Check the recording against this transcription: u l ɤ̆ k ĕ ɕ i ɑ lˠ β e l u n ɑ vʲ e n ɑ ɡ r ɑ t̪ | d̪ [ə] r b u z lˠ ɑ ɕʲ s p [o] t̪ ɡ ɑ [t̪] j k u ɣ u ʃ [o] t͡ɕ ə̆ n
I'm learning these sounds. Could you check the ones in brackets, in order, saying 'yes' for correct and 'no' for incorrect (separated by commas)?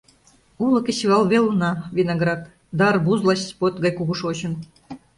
no, yes, no, yes